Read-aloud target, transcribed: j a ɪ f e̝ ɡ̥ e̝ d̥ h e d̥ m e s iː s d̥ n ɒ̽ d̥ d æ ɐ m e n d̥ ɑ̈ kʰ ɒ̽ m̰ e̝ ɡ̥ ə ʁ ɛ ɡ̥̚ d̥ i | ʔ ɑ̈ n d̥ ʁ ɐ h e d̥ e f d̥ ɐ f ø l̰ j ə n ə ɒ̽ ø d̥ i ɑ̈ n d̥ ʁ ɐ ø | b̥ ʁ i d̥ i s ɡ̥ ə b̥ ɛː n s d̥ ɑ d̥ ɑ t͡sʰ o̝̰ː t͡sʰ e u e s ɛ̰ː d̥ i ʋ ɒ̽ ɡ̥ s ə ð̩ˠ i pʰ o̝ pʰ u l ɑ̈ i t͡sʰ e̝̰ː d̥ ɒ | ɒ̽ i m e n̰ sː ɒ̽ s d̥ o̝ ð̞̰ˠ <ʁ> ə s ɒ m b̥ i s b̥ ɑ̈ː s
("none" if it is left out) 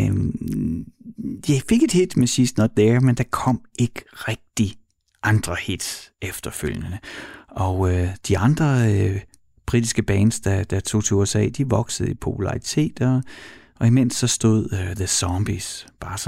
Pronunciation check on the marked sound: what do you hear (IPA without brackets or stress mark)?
ð